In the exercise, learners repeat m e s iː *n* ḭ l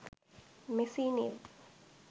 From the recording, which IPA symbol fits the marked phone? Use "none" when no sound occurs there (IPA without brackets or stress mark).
n